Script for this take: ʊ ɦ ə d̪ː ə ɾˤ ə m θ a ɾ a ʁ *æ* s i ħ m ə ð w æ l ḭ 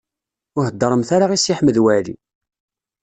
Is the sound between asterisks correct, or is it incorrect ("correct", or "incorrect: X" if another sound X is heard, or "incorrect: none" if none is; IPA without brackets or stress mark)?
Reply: incorrect: i